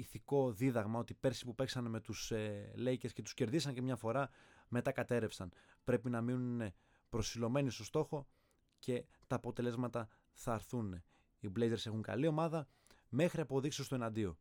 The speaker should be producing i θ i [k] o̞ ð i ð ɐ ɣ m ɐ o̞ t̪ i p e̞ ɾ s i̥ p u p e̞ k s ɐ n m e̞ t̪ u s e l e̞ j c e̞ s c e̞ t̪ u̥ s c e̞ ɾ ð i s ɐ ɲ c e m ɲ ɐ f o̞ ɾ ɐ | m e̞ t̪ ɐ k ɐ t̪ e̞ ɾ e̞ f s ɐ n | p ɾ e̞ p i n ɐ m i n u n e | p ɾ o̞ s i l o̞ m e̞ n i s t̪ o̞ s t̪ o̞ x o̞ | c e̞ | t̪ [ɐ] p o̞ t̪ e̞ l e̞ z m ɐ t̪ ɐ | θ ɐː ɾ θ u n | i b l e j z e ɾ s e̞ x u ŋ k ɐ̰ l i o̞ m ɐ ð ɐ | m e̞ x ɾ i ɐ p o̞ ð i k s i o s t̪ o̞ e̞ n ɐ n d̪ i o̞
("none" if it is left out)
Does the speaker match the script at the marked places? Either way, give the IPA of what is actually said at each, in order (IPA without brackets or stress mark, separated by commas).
k, ɐː